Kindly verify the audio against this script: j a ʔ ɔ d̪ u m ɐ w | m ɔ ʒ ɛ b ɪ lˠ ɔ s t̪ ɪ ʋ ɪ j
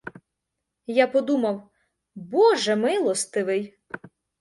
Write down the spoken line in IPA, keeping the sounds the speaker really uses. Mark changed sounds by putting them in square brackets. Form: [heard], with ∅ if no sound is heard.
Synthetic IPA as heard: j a [p] ɔ d̪ u m ɐ w | [b] ɔ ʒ ɛ [m] ɪ lˠ ɔ s t̪ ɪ ʋ ɪ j